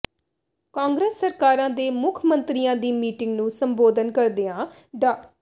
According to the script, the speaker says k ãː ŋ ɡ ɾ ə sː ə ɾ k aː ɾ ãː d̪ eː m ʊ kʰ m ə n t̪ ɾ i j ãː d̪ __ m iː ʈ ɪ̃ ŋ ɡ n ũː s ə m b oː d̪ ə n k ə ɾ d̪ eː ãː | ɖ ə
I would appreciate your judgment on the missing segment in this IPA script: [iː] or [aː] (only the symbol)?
iː